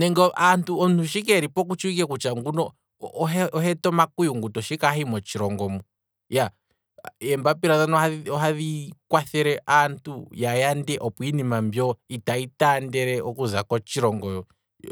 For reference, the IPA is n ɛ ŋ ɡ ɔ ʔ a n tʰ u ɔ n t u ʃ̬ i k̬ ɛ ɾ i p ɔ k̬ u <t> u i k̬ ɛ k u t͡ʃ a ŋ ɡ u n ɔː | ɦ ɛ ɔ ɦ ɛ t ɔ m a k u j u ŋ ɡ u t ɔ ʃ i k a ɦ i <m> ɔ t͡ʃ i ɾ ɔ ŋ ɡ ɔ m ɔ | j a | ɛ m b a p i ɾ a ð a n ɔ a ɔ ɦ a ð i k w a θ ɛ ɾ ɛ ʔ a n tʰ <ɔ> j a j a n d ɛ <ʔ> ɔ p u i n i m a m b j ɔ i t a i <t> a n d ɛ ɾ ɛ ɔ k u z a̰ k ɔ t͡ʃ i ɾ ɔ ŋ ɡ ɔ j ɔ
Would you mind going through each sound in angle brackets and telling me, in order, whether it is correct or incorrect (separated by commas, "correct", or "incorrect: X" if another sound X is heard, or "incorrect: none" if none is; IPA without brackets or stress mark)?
incorrect: t͡ʃ, correct, incorrect: u, correct, correct